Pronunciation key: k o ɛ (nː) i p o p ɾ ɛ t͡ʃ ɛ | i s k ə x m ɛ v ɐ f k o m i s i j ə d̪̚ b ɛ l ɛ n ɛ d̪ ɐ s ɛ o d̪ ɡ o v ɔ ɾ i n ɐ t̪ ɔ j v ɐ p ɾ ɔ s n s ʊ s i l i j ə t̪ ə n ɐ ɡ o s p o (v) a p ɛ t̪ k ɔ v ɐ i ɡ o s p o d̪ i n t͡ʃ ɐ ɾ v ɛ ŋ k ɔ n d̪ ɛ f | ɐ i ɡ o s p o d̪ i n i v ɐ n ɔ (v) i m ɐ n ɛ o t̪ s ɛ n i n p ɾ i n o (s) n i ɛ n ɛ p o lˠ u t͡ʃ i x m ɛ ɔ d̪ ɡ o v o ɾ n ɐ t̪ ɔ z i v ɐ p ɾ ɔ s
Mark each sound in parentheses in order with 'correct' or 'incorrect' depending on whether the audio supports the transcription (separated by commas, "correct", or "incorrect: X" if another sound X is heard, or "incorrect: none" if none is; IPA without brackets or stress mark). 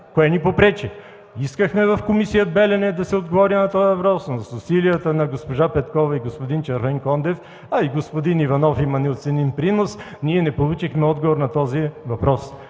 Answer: incorrect: n, incorrect: ʒ, incorrect: f, correct